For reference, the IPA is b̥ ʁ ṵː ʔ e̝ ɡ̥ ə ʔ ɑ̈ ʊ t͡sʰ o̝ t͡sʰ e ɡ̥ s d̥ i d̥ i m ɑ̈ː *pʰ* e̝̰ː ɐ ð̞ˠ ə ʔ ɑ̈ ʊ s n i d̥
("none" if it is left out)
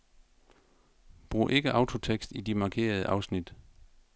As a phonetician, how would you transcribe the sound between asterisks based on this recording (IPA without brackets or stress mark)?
kʰ